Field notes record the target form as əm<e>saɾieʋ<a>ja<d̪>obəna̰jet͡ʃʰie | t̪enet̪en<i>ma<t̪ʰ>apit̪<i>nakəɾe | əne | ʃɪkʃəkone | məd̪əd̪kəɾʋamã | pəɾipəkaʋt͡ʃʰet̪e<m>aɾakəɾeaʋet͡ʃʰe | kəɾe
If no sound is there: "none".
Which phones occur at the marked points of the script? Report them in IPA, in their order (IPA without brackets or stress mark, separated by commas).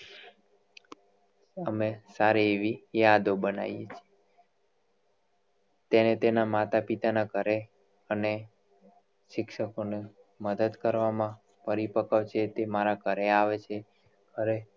e, i, d̪, a, t̪, a, m